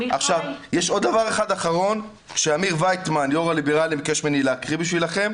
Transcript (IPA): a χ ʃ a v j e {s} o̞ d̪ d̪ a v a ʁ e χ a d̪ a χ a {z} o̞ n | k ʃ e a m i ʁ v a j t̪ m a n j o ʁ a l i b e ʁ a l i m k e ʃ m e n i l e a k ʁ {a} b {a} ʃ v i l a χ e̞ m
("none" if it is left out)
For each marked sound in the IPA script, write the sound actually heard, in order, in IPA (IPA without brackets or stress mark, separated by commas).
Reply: ʃ, ʁ, i, i